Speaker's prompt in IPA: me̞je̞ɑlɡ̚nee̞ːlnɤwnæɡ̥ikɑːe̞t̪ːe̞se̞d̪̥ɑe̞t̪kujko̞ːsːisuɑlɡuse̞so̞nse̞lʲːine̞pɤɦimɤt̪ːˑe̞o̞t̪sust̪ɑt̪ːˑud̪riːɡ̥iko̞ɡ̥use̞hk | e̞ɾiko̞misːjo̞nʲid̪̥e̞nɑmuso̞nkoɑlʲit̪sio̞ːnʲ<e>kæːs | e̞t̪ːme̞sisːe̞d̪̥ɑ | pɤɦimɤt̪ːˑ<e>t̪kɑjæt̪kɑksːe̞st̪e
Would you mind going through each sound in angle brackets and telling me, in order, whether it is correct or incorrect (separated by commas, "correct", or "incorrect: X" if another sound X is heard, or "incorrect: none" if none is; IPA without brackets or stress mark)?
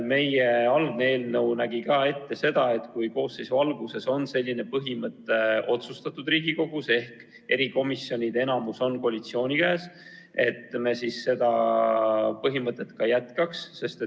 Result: incorrect: i, correct